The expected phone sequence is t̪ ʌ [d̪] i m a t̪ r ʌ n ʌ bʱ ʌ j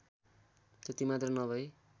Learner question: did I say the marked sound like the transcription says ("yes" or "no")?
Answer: no